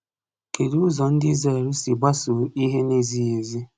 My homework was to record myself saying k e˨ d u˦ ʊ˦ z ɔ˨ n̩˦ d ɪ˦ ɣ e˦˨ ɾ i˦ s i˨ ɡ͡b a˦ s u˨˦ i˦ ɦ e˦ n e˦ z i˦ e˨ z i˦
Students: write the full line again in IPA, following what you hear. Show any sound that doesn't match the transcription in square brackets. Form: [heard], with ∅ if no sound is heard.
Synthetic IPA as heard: k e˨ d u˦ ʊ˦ z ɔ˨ n̩˦ d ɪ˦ [z] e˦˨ ɾ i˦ s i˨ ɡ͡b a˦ s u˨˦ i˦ ɦ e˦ n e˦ z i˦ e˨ z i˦